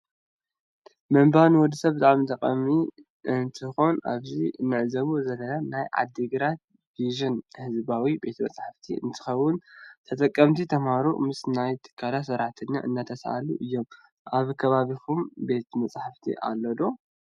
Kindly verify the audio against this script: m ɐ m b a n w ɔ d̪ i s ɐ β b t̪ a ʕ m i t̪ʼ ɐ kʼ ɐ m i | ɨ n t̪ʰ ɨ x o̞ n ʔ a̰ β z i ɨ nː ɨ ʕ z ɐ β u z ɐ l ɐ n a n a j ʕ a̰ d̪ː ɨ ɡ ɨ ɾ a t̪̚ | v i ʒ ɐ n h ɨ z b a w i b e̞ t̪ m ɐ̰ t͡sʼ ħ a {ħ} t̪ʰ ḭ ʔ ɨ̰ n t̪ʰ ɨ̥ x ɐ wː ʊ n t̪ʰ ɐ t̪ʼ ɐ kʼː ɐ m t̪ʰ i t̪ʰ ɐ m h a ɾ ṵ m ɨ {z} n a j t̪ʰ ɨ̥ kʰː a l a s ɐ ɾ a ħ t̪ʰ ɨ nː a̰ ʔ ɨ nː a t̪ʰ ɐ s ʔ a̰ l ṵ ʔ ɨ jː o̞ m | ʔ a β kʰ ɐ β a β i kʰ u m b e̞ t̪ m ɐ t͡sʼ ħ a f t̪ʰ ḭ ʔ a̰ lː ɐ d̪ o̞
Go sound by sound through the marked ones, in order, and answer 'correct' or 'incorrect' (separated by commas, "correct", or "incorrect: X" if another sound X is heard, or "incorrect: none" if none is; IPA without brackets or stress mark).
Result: incorrect: f, incorrect: s